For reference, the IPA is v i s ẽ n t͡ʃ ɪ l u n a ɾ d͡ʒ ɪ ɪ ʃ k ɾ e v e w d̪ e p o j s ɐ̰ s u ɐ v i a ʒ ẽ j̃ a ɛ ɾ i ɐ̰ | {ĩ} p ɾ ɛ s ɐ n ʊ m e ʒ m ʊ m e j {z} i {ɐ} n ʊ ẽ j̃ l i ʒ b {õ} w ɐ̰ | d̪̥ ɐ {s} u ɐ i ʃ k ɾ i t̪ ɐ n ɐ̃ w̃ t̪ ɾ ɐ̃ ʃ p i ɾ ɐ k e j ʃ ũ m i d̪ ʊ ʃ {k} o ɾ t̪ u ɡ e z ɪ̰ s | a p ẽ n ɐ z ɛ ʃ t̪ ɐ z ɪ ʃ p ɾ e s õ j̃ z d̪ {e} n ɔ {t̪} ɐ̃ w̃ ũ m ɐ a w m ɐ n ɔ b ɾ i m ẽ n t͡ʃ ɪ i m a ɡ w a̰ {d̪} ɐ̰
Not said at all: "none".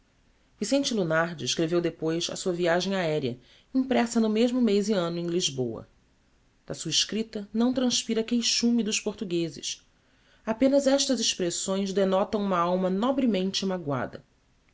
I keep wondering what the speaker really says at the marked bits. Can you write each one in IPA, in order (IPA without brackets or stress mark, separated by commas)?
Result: ĩ, z, ɐ̃, o, s, p, e, t̪, d̪